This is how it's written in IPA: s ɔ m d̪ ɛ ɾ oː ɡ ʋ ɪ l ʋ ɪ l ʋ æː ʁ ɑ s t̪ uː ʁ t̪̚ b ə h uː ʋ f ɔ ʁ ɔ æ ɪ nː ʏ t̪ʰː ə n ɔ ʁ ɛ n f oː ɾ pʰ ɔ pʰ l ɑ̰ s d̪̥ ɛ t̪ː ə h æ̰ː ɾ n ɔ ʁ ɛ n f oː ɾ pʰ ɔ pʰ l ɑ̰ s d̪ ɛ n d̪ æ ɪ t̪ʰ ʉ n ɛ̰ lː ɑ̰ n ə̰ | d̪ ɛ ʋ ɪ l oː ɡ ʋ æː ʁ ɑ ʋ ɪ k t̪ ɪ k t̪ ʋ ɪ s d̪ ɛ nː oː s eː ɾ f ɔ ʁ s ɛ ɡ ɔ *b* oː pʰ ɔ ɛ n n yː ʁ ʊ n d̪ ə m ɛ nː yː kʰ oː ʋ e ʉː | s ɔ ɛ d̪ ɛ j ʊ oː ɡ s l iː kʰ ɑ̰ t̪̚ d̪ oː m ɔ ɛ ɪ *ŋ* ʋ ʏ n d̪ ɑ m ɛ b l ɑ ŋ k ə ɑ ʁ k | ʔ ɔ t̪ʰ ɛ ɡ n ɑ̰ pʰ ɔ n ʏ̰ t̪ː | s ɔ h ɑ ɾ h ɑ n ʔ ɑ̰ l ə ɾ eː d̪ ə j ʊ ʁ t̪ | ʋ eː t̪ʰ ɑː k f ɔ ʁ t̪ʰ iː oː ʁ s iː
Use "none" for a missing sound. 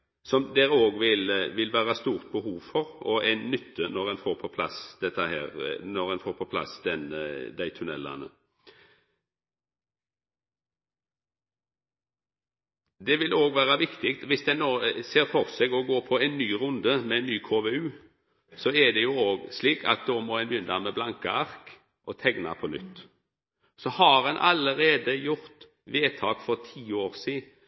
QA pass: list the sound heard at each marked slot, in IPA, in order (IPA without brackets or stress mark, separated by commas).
ɡ, n